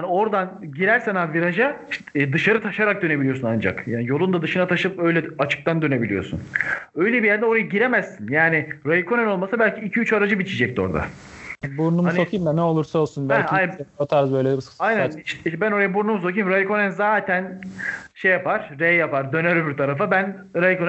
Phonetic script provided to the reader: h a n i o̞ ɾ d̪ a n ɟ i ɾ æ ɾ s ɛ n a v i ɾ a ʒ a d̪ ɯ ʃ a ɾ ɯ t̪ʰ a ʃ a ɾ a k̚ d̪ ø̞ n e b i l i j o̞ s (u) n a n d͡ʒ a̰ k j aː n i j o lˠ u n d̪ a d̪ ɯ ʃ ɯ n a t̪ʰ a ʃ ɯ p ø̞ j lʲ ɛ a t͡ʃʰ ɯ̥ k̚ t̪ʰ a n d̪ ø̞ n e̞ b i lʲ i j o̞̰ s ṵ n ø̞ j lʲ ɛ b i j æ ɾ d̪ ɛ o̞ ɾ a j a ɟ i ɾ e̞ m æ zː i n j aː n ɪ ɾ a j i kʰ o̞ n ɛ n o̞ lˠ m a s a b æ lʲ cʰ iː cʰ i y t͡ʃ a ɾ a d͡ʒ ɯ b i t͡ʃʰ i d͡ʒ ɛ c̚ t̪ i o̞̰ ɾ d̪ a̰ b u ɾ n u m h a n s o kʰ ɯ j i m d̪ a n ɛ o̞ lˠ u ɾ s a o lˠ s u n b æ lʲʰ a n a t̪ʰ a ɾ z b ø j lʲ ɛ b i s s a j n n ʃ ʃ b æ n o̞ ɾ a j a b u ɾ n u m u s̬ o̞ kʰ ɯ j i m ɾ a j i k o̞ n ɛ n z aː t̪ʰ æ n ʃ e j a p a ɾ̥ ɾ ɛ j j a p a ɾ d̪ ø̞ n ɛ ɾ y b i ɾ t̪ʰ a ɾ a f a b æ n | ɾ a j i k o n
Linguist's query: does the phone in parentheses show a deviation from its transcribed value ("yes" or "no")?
no